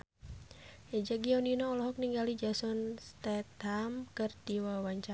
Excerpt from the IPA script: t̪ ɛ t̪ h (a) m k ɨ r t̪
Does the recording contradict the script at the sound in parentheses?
no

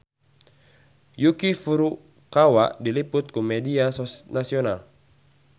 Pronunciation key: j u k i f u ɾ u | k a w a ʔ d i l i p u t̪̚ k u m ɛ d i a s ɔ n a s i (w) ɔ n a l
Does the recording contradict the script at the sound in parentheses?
yes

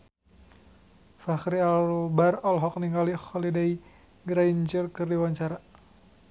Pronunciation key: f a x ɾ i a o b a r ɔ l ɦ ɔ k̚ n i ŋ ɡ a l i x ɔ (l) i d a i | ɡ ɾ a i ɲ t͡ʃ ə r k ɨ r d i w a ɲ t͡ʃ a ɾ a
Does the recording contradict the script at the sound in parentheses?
no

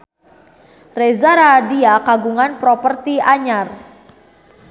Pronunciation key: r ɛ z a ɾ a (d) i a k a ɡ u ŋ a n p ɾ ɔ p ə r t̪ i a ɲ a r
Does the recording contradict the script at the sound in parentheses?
no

